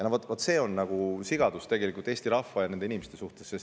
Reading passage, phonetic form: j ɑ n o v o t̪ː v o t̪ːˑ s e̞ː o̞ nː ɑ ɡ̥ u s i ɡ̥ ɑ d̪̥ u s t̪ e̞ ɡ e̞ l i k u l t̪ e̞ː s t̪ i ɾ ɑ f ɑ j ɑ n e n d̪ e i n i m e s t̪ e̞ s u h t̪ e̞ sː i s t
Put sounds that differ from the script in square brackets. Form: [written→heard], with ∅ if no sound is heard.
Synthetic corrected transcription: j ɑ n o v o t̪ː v o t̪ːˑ s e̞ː o̞ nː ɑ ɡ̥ u s i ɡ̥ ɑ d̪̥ u s t̪ e̞ ɡ e̞ l i k u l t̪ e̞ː s t̪ i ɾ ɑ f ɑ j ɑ n e n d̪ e i n i m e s t̪ e̞ s u h t̪ e̞ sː [i→e] s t